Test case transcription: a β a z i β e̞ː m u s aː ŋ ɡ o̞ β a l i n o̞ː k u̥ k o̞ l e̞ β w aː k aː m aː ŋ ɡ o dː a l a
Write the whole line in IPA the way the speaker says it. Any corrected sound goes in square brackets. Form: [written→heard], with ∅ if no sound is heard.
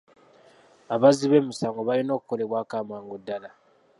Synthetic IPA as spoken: a β a z i β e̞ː m u s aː ŋ ɡ o̞ β a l i n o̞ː k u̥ k o̞ l e̞ β w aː k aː m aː ŋ ɡ o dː a l a